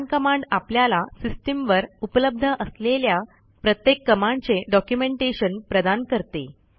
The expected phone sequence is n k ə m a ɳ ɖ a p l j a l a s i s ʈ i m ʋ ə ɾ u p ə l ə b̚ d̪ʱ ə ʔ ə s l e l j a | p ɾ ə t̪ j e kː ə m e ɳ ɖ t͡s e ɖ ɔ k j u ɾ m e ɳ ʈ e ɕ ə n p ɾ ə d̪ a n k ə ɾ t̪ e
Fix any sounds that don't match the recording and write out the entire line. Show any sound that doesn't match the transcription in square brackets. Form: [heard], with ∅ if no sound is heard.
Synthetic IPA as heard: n k ə m a ɳ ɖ a p l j a l a s i s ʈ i m ʋ ə ɾ u p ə l ə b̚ d̪ʱ ə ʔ ə s l e l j a | p ɾ ə t̪ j e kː ə m [a] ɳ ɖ t͡s e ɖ ɔ k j u [∅] m e ɳ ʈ e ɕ ə n p ɾ ə d̪ a n k ə ɾ t̪ e

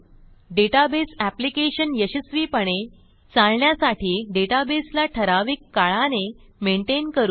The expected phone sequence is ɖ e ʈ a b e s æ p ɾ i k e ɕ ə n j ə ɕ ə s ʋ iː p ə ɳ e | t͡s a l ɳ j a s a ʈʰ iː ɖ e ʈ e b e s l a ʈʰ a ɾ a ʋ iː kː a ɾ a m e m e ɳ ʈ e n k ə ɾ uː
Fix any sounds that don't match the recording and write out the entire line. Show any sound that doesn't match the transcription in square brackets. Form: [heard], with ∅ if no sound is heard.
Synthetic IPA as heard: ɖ e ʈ a b e s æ p [l] i k e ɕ ə n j ə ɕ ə s ʋ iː p ə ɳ e | t͡s a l ɳ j a s a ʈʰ iː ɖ e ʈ [a] b e s l a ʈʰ [ə] ɾ a ʋ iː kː a [ɭ] a [n] e m e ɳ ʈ e n k ə ɾ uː

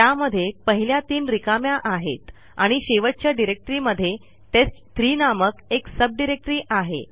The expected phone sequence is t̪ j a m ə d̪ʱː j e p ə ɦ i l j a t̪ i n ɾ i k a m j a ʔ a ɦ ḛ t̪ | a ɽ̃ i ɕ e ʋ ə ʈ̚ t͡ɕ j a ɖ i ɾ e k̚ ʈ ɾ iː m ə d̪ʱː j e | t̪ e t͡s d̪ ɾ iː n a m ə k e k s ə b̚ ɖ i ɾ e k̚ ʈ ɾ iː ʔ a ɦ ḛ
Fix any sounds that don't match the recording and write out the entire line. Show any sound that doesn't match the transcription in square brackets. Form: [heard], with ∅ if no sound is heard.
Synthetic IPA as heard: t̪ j a m ə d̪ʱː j e p ə ɦ i l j a t̪ [iː] n ɾ i k a m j a ʔ a ɦ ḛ t̪ | a ɽ̃ i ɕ e ʋ ə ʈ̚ t͡ɕ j a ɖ i ɾ e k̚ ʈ ɾ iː m ə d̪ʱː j e | t̪ e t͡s [t̪] ɾ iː n a m ə k e k s ə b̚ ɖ i ɾ e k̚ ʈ ɾ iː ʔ a ɦ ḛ

